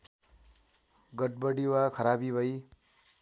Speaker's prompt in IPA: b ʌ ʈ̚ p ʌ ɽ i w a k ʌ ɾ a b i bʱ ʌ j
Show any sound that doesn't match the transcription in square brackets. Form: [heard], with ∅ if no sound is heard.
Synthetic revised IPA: [ɡ] ʌ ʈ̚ [b] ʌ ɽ i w a [kʰ] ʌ ɾ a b i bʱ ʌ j